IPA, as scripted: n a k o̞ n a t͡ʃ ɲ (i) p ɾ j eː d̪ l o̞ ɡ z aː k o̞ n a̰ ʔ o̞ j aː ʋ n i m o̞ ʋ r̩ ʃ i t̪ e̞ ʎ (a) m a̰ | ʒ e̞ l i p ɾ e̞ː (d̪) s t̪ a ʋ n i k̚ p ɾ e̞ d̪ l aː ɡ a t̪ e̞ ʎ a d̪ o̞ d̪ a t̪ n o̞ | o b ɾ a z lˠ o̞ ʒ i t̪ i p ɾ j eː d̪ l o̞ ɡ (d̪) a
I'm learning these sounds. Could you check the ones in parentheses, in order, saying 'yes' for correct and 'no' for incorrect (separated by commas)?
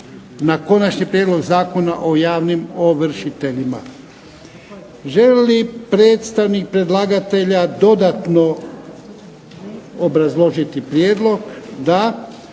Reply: yes, no, no, yes